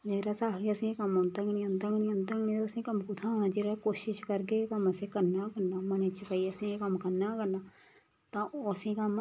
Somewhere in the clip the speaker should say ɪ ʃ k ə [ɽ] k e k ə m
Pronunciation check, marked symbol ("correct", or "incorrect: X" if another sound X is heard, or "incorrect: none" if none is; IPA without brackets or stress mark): incorrect: ɾ